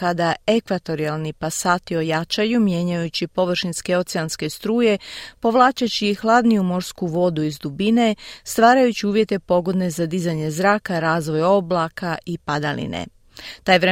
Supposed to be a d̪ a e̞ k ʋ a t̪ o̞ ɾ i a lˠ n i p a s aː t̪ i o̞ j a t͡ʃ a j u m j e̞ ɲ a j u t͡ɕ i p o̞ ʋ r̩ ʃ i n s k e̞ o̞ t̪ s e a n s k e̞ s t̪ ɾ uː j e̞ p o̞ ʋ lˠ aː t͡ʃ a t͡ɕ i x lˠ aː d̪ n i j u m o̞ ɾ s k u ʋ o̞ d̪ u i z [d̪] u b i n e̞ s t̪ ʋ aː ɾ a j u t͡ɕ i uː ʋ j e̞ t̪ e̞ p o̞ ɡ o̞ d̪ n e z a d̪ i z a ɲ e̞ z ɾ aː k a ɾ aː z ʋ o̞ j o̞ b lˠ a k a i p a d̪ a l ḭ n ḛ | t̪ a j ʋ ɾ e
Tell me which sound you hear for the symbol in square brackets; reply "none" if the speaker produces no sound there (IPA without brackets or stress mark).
d̪